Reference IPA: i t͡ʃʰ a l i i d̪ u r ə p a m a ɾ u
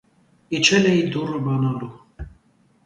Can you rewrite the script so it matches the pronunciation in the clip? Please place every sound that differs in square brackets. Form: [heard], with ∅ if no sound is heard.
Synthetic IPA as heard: i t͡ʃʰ [ɛ] l [ɛ] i d̪ u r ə [b] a [n] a [l] u